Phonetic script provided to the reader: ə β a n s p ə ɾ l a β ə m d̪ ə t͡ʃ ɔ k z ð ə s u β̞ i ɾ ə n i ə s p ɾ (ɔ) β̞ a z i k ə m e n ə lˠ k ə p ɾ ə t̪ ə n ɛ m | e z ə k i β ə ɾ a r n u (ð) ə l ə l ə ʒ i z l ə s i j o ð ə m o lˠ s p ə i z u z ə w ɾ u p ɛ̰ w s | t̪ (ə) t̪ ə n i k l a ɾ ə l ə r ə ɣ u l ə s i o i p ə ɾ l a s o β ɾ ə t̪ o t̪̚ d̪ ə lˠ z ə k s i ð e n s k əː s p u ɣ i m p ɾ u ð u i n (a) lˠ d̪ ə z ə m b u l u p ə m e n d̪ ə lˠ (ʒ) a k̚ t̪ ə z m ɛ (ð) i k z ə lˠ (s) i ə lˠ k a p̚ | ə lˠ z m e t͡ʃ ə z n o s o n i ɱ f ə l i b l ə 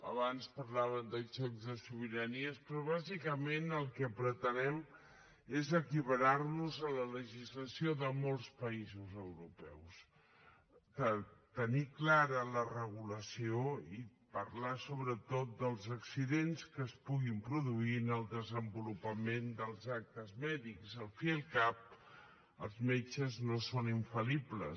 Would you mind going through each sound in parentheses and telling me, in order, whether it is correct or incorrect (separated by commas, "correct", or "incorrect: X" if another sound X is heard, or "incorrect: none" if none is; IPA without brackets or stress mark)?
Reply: correct, incorrect: z, correct, incorrect: ə, incorrect: z, correct, incorrect: f